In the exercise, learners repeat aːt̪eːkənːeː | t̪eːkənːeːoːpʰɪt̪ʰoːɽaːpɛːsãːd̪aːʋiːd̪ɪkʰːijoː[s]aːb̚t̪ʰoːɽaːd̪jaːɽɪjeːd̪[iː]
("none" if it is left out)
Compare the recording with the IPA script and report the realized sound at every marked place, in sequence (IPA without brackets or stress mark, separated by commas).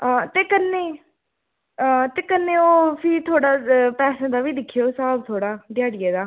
s, aː